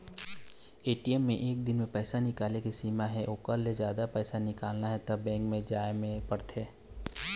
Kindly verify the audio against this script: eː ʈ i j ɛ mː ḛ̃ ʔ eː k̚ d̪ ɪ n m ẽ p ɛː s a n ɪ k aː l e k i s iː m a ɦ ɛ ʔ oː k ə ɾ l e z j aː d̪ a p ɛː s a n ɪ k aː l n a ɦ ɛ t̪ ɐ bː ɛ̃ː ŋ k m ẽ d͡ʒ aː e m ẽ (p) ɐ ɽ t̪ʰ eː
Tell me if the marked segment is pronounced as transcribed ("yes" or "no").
yes